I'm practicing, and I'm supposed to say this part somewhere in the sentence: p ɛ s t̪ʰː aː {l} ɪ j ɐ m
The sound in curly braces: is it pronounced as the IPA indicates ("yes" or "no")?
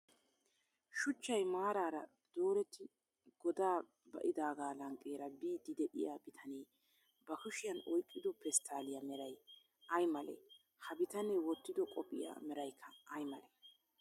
yes